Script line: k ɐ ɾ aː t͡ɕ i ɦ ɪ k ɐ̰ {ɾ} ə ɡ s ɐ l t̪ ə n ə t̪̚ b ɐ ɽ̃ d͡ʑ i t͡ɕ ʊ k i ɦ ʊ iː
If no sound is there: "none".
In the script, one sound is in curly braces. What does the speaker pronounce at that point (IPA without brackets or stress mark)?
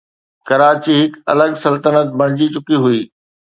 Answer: l